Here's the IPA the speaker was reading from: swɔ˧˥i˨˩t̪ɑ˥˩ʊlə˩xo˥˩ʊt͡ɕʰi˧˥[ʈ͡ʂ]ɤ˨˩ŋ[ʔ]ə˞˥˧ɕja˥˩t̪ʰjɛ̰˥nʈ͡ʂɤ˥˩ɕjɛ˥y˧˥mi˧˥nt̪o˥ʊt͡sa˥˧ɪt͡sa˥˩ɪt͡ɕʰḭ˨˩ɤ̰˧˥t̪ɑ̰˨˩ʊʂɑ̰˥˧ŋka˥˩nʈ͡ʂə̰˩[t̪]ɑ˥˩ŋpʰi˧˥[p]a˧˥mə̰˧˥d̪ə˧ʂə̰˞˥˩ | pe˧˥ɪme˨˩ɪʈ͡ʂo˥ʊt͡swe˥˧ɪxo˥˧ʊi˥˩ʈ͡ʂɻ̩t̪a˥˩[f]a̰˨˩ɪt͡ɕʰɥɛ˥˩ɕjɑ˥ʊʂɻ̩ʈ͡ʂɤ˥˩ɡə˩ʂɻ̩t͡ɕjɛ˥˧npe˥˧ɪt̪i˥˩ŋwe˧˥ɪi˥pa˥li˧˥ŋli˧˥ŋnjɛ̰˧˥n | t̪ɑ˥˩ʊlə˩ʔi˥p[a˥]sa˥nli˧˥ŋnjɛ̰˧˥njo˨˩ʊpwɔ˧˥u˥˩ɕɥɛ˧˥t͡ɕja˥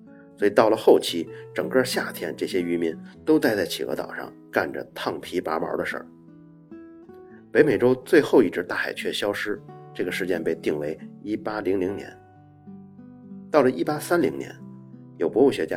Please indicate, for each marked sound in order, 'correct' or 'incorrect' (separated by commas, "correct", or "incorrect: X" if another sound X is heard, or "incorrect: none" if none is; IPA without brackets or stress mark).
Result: correct, incorrect: k, incorrect: t̪ʰ, correct, incorrect: x, correct